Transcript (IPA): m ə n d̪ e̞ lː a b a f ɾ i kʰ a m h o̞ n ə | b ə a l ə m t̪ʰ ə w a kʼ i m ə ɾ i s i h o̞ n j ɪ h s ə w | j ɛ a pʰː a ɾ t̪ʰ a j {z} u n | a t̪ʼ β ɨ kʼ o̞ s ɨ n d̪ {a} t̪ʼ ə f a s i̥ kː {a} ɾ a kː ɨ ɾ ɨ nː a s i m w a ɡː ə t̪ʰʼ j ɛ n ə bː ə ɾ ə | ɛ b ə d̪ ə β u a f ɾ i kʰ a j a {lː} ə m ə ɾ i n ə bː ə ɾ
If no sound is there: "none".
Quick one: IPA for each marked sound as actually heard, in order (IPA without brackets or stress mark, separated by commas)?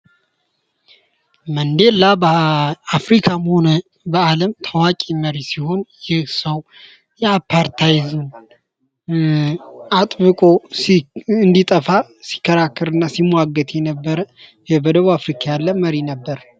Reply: z, i, ə, lː